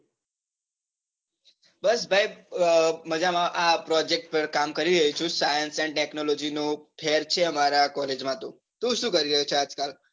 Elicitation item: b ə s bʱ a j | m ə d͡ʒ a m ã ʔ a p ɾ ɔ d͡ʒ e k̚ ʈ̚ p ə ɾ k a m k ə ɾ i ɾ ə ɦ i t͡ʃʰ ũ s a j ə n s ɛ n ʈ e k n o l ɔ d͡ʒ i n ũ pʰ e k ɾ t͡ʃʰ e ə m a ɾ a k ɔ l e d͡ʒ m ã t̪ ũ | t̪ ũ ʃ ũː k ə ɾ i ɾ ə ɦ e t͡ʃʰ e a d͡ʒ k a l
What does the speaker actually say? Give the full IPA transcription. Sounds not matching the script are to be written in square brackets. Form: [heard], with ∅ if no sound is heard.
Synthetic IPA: b ə s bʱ a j | m ə d͡ʒ a m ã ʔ a p ɾ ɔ d͡ʒ e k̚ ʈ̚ p ə ɾ k a m k ə ɾ i ɾ ə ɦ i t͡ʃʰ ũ s a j ə n s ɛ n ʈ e k n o l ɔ d͡ʒ i n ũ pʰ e [∅] ɾ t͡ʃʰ e ə m a ɾ a k ɔ l e d͡ʒ m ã t̪ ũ | t̪ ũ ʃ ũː k ə ɾ i ɾ ə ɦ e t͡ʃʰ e a d͡ʒ k a l